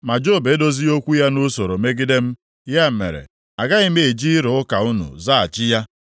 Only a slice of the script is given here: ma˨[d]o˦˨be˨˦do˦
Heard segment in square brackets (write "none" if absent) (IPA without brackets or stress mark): d͡ʒ